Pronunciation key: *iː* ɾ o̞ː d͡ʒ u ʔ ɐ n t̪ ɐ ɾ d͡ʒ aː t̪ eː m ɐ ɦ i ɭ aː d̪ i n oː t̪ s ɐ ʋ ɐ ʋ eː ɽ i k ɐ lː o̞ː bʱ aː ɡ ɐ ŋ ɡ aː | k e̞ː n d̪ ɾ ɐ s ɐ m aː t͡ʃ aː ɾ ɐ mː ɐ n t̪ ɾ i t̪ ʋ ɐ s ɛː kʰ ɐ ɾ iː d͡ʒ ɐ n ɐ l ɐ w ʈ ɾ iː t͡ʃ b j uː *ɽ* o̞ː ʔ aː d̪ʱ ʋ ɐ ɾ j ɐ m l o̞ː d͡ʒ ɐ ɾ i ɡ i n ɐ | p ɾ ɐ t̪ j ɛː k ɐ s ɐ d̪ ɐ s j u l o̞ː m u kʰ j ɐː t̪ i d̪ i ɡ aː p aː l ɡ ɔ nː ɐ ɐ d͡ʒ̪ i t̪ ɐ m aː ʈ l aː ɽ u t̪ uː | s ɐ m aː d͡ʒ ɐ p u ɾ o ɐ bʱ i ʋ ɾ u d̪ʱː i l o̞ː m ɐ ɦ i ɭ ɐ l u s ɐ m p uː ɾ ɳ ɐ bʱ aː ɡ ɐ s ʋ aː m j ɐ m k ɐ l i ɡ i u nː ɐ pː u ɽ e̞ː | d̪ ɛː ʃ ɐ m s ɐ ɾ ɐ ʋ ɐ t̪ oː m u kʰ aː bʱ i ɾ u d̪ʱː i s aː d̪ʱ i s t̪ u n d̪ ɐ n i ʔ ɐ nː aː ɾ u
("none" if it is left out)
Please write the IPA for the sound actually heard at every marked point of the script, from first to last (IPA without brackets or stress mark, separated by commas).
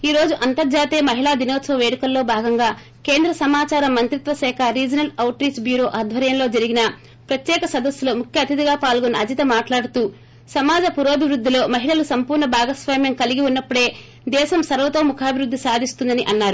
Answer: iː, ɾ